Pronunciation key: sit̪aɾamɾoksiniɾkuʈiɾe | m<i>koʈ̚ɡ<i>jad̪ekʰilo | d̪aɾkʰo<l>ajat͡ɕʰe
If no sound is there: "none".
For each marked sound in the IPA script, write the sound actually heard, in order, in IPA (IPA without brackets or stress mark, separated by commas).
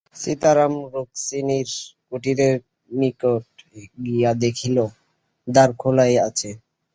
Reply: i, i, l